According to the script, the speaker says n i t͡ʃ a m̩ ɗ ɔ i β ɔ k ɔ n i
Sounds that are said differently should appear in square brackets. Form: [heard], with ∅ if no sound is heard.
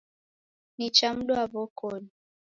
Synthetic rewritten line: n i t͡ʃ a m̩ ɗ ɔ [a] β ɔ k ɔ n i